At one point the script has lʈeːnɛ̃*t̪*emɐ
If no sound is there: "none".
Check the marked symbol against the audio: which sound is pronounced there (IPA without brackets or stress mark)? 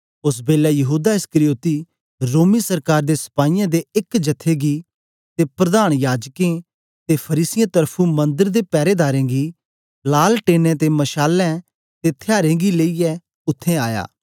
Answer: t̪